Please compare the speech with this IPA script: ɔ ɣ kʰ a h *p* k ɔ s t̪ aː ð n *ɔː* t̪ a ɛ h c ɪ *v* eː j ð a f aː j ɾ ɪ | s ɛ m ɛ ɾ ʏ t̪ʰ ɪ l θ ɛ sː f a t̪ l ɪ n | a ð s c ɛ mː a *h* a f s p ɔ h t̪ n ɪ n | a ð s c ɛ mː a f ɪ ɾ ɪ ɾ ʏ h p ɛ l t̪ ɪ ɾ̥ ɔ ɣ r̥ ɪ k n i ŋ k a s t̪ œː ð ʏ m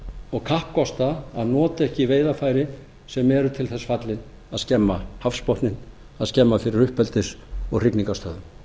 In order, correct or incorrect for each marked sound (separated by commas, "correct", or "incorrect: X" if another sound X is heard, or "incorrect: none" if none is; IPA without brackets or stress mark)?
correct, correct, correct, correct